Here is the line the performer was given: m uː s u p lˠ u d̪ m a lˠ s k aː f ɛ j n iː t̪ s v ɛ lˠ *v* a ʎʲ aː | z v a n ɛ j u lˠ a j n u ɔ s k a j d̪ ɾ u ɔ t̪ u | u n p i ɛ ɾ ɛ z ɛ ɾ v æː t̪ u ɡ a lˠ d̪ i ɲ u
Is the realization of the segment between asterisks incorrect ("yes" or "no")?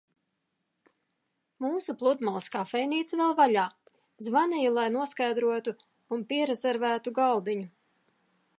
no